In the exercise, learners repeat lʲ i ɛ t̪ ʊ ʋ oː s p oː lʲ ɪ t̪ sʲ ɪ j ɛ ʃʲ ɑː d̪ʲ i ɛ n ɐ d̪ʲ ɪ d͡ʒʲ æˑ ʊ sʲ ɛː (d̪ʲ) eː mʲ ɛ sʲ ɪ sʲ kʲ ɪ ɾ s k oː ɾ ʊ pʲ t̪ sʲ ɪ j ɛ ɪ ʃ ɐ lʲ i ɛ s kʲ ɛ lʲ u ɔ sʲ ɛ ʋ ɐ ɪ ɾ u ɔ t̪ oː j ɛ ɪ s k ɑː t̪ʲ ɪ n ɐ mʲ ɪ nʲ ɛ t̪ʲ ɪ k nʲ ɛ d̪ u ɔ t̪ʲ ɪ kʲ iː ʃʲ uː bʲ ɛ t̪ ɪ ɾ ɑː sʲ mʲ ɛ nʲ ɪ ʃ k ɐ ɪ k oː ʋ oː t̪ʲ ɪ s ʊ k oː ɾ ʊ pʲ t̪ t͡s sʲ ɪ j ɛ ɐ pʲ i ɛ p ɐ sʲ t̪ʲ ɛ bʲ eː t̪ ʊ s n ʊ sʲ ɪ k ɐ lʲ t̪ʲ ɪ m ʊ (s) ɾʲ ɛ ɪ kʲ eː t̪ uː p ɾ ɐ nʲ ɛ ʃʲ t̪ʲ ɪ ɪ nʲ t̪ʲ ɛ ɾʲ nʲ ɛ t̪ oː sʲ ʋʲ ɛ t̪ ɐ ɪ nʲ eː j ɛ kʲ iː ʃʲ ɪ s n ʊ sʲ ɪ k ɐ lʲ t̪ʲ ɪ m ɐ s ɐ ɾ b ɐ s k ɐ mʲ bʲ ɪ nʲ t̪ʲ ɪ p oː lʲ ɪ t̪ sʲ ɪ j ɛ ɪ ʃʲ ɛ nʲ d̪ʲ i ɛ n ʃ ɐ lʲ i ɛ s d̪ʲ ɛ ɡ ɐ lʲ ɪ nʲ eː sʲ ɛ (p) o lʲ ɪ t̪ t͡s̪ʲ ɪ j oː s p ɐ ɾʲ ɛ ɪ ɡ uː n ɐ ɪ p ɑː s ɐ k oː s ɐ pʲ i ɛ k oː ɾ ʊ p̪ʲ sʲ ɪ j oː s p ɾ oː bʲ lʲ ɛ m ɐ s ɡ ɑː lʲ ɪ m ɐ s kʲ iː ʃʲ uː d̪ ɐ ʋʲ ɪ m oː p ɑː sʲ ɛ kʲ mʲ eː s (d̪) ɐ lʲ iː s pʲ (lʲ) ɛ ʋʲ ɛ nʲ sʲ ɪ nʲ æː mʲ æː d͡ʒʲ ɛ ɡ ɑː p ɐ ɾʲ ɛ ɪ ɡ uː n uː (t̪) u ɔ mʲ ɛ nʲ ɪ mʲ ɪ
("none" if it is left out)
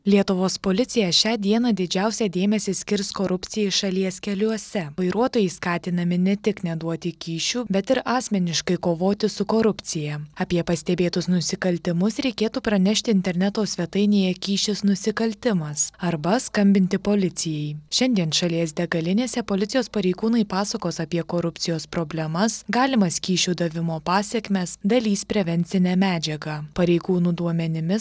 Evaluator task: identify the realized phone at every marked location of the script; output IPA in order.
d̪ʲ, s, p, d̪, ɾʲ, d̪

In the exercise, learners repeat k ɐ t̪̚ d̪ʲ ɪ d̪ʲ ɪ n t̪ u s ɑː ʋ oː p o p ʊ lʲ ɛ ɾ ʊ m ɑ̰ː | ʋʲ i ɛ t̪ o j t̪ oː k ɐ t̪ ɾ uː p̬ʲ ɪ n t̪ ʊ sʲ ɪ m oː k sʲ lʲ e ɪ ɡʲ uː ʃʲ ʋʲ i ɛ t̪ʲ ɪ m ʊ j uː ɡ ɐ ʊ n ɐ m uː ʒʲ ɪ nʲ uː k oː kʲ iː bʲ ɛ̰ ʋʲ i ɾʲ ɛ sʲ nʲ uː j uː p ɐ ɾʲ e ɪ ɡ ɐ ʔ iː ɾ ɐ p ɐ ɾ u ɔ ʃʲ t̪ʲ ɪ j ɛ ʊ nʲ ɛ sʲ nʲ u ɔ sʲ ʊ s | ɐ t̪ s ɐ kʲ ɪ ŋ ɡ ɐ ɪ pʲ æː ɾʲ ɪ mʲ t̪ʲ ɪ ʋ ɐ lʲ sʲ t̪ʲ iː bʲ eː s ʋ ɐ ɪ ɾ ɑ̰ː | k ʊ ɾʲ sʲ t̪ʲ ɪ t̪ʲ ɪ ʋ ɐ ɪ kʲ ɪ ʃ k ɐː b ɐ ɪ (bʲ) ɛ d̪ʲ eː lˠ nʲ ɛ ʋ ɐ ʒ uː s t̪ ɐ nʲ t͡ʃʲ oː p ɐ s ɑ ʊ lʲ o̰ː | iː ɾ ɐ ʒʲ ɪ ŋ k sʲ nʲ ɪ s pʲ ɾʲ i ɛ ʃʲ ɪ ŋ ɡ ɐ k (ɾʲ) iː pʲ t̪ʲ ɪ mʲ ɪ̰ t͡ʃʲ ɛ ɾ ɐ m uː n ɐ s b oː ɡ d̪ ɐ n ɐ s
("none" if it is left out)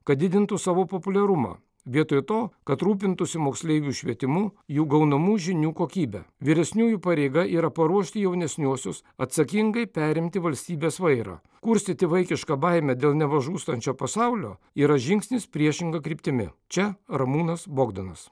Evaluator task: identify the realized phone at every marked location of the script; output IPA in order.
mʲ, ɾʲ

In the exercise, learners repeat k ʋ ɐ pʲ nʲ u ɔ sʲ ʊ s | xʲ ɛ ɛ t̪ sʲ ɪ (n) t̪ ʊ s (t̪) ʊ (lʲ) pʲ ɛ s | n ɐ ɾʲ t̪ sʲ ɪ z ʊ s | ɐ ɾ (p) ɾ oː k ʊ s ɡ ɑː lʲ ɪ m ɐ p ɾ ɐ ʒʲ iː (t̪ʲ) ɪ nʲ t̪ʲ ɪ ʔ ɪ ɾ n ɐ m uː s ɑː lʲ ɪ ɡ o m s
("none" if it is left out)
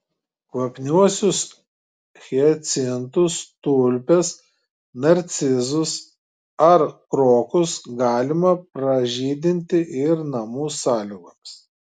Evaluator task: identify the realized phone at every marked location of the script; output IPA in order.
n, t̪, lʲ, k, d̪ʲ

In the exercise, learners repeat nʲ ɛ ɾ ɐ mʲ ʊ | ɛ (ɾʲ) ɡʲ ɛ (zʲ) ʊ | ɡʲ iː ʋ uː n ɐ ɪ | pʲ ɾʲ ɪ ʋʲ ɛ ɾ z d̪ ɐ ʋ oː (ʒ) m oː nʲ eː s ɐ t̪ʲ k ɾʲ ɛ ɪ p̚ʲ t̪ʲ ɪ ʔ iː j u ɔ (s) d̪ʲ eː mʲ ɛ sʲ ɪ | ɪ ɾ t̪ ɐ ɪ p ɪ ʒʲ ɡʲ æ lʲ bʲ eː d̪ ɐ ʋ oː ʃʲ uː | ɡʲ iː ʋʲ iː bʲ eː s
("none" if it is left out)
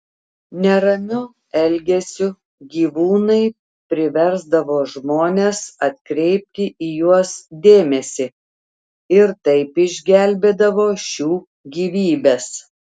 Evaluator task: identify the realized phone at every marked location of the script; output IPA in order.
lʲ, sʲ, ʒ, s

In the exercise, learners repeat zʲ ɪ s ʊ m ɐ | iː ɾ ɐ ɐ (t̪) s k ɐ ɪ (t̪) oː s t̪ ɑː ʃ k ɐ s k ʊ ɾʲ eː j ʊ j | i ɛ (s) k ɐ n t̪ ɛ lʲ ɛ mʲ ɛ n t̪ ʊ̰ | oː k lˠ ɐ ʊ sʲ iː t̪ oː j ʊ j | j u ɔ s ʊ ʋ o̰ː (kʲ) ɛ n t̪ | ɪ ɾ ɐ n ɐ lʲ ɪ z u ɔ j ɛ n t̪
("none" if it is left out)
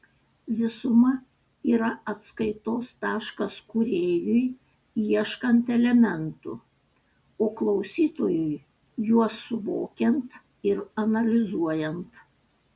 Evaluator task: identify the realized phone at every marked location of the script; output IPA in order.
t̪, t̪, ʃ, kʲ

